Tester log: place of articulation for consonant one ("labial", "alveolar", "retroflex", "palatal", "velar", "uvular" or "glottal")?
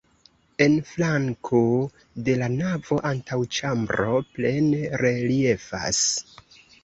alveolar